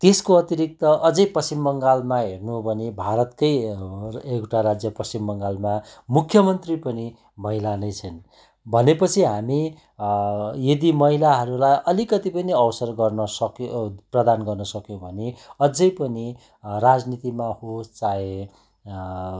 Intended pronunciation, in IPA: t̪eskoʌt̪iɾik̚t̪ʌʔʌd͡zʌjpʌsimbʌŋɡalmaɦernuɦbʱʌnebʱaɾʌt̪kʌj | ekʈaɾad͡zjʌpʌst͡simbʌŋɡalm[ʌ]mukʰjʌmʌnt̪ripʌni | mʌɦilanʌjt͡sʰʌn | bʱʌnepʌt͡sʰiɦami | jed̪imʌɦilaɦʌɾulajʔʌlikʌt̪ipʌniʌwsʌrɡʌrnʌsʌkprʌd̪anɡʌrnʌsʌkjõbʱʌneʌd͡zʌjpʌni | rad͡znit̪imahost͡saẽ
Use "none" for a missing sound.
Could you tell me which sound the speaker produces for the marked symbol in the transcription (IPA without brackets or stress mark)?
a